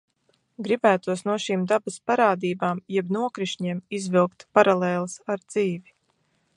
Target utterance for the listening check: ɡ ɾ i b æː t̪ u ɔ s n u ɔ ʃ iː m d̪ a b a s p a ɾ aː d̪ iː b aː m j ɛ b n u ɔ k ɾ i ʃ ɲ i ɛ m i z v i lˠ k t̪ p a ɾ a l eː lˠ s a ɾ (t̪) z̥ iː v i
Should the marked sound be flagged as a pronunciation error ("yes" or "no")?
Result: yes